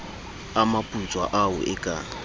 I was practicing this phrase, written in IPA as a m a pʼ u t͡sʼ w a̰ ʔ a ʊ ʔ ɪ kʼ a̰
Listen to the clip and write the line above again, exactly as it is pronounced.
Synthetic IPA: a m a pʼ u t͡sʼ w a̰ ʔ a ʊ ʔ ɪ kʼ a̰